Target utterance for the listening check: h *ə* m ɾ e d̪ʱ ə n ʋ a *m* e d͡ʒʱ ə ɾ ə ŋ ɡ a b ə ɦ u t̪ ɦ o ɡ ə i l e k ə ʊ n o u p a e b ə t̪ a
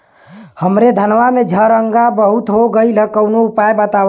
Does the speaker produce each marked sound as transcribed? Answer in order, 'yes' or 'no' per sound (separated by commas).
yes, yes